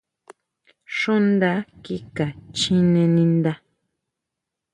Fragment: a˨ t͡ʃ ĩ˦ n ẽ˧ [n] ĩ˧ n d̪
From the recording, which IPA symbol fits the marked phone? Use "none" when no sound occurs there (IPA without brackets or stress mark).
n